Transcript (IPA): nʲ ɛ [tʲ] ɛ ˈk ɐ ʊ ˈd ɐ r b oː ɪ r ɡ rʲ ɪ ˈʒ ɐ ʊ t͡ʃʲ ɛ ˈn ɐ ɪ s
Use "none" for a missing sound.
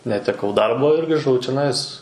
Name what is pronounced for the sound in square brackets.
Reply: tʲ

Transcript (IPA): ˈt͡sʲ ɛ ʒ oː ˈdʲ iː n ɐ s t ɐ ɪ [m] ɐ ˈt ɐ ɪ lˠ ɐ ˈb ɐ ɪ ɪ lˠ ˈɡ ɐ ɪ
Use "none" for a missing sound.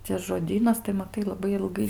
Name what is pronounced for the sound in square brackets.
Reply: m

